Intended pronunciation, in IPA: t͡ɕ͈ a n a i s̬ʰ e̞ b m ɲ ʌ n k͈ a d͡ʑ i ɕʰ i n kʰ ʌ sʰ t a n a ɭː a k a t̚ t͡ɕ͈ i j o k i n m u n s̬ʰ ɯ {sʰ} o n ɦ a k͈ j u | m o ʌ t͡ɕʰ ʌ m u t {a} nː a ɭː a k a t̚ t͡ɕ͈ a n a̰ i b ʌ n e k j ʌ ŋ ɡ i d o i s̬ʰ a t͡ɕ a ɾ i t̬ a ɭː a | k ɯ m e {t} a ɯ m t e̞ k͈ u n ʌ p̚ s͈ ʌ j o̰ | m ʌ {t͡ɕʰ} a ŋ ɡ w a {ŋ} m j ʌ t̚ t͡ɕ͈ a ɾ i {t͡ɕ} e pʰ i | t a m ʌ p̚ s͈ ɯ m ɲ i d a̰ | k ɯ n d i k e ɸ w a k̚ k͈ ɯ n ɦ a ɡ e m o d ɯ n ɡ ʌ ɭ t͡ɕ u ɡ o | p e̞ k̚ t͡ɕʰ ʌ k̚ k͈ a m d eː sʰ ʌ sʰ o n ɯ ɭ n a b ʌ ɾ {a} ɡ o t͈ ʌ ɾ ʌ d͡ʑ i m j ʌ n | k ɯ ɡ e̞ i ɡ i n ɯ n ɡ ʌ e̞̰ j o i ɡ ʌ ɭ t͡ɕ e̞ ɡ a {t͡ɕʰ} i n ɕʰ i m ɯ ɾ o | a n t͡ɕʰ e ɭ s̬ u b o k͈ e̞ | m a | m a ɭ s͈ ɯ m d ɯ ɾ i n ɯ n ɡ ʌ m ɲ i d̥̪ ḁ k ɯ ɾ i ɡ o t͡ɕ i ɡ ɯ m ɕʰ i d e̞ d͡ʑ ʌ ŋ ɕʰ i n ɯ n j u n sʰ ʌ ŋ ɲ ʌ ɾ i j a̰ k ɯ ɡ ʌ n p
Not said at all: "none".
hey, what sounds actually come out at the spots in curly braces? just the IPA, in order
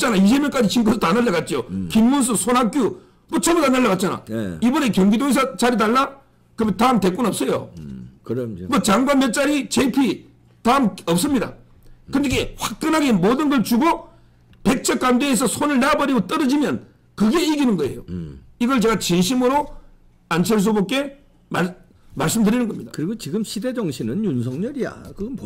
sʰ, a, t, t͡ɕ, n, t͡ɕ, i, t͡ɕ

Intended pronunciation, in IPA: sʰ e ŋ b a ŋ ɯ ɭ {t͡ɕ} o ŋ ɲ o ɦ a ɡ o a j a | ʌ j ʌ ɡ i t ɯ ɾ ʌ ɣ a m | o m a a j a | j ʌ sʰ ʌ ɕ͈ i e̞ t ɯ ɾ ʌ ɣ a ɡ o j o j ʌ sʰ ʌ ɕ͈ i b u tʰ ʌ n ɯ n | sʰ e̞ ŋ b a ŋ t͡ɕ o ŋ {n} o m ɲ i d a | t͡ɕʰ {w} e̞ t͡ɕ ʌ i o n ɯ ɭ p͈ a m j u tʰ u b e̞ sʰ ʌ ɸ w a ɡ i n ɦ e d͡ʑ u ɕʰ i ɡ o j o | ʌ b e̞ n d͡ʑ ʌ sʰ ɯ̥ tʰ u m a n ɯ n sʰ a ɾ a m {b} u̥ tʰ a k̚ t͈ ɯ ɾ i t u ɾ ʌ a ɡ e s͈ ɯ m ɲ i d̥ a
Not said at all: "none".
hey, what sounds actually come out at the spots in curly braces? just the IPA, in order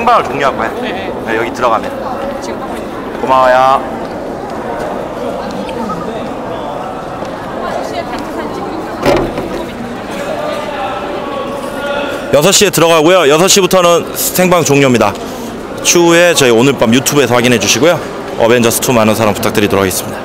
t͡ɕ, ɲ, u, p

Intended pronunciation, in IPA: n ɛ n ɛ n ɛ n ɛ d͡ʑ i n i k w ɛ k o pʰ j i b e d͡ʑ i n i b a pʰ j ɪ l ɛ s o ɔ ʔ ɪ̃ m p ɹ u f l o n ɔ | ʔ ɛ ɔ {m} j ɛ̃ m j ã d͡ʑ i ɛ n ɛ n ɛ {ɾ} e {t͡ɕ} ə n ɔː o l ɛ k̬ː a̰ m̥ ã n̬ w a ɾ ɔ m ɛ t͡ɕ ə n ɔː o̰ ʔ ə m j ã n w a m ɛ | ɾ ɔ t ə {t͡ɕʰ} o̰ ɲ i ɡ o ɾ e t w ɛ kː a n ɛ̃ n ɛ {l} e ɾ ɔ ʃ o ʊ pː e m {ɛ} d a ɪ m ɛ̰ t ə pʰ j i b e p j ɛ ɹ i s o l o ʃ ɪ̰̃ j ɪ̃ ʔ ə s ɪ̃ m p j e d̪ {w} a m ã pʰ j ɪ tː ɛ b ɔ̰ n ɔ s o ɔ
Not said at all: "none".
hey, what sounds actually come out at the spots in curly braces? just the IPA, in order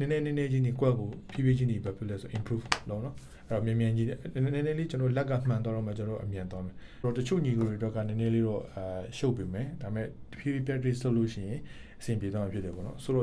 m, l, t͡ɕ, t͡ɕʰ, l, ɛ, w

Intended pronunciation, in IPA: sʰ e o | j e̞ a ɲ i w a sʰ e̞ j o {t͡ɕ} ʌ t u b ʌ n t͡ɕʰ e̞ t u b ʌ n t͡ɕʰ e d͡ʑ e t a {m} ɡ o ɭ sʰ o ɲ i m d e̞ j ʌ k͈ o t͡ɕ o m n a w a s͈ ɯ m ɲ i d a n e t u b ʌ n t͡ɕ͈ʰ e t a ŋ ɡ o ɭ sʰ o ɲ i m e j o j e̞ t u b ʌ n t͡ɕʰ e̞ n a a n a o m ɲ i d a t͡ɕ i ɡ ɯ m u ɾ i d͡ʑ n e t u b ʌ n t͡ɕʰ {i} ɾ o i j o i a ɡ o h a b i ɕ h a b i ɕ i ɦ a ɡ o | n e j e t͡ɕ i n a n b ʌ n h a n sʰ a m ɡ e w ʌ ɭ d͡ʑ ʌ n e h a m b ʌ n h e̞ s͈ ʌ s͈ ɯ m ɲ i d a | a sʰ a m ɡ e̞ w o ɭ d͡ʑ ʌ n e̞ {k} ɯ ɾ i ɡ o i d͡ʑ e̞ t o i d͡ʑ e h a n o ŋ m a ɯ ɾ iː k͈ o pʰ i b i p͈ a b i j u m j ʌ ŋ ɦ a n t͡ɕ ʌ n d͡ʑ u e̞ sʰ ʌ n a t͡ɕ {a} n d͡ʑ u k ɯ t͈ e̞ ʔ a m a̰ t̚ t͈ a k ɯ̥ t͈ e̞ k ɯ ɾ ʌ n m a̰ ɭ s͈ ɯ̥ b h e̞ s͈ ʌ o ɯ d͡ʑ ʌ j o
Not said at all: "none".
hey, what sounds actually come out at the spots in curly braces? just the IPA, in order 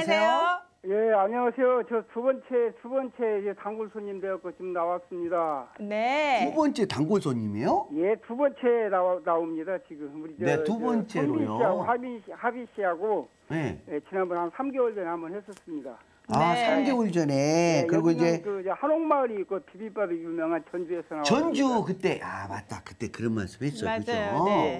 t͡ɕ, ŋ, e, k, ʌ

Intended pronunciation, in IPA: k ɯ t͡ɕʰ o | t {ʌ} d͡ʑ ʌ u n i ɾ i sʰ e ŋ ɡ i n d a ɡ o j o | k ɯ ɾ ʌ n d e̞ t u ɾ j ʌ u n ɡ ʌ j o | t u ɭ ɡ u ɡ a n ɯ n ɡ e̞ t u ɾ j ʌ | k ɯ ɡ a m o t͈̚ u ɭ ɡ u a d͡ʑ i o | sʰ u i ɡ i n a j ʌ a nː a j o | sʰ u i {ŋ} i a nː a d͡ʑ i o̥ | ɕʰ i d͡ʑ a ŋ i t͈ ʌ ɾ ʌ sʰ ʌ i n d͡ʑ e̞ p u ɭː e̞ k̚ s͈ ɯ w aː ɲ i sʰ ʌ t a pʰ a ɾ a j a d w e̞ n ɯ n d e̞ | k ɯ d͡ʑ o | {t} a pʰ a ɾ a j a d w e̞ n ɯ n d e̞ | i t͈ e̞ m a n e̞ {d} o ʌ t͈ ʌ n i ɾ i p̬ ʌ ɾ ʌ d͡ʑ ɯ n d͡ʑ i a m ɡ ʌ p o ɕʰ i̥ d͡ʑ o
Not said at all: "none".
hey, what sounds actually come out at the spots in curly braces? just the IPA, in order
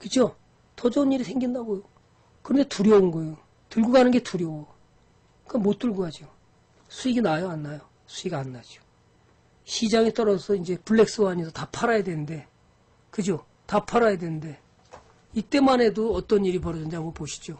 ʌ, ɡ, t, d

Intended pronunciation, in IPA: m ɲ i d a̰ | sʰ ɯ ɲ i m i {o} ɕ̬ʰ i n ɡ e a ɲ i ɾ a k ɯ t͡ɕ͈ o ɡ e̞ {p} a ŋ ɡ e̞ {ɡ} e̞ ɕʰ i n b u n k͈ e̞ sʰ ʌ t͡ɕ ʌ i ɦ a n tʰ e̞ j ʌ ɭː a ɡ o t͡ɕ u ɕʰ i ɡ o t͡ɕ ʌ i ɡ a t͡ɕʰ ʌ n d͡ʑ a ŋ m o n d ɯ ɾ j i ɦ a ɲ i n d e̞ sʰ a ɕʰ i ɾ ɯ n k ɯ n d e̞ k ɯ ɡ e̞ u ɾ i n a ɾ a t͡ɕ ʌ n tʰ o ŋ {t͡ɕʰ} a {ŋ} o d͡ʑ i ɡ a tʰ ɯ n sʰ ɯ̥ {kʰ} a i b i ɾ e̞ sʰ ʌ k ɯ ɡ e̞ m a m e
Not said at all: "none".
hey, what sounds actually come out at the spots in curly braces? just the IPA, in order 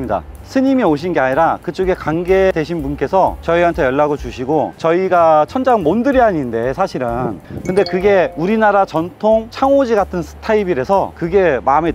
o, k, d, t͡ɕʰ, ŋ, tʰ

